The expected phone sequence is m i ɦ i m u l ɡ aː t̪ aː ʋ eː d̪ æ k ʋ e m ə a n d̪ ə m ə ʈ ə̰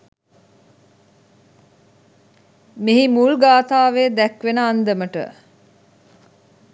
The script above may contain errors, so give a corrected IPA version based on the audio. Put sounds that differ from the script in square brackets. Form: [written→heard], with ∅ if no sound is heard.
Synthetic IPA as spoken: m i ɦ i m u l ɡ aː t̪ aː ʋ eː d̪ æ k ʋ e [m→n] ə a n d̪ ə m ə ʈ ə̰